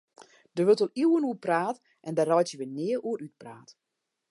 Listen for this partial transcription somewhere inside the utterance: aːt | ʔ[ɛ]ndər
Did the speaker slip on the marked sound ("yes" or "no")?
no